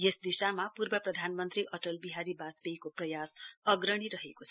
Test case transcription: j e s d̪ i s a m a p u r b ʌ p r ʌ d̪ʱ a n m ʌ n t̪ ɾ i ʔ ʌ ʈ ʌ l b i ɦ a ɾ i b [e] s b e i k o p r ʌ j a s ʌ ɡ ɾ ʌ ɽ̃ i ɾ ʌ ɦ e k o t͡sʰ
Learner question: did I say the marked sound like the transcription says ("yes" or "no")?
no